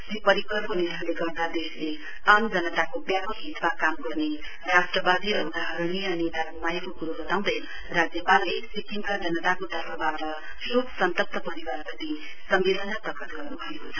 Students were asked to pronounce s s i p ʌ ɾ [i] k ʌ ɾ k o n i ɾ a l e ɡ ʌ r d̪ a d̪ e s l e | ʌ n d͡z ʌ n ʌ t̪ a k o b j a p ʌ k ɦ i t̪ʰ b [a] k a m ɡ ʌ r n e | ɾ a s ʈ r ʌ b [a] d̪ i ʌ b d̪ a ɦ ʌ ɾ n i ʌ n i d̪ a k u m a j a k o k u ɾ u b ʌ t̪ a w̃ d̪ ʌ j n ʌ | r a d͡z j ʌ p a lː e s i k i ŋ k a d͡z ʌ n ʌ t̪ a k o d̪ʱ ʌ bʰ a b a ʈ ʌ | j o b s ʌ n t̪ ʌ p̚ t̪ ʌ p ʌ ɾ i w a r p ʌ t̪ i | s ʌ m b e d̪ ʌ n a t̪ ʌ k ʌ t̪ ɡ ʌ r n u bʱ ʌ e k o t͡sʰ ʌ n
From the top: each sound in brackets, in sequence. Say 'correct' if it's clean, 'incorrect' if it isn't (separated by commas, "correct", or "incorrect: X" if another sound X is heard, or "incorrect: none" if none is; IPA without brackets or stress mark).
correct, correct, correct